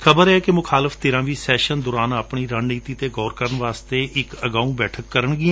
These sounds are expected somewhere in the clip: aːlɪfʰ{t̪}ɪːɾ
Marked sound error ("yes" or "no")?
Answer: no